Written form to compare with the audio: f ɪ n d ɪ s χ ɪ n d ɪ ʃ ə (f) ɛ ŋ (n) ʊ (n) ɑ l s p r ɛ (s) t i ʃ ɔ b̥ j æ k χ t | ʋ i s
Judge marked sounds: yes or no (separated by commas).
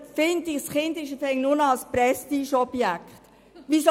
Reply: yes, yes, yes, yes